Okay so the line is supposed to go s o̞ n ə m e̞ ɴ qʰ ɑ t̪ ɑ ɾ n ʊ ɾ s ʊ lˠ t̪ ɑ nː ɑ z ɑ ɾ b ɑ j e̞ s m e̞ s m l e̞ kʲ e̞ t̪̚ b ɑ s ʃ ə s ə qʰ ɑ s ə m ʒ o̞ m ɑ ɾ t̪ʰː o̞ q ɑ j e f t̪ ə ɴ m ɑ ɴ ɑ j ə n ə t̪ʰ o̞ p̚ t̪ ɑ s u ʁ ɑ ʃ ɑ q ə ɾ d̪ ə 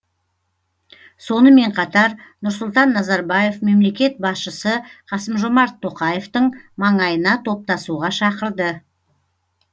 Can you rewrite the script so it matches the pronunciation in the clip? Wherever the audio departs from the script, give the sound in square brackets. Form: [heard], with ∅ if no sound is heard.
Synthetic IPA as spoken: s o̞ n ə m e̞ ɴ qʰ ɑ t̪ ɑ ɾ n ʊ ɾ s ʊ lˠ t̪ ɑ nː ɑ z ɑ ɾ b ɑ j e̞ [f] m e̞ [∅] m l e̞ kʲ e̞ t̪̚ b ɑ s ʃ ə s ə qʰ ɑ s ə m ʒ o̞ m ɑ ɾ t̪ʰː o̞ q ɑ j e f t̪ ə ɴ m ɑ ɴ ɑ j ə n [ɑ] t̪ʰ o̞ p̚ t̪ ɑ s u ʁ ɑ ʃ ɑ q ə ɾ d̪ ə